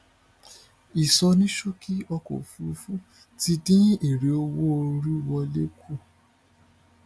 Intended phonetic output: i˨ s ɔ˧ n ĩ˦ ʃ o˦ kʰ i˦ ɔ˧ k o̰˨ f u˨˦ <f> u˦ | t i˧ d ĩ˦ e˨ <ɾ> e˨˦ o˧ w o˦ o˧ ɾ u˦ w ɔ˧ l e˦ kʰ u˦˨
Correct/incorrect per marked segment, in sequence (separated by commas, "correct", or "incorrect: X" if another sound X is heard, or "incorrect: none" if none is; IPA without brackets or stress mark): correct, correct